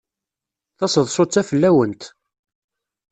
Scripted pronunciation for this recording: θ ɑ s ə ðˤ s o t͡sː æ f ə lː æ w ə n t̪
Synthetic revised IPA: θ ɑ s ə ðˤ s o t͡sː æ f ə lː æ w ə n t̪

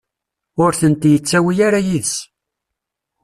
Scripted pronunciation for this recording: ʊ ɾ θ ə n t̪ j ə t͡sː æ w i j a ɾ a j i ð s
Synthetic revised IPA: ʊ ɾ θ ə n t̪ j ə t͡sː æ w i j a ɾ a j i ð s

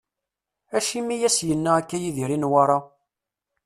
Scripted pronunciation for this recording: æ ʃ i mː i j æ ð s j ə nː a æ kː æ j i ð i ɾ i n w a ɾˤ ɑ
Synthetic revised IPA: æ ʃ i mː i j æ s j ə nː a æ kː æ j i ð i ɾ i n w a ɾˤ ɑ

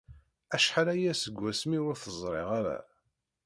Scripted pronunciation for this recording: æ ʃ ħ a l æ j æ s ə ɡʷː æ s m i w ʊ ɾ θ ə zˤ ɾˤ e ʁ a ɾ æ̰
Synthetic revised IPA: æ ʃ ħ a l æ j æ s ə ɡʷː æ s m i w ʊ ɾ θ ə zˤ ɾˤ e ʁ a ɾ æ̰

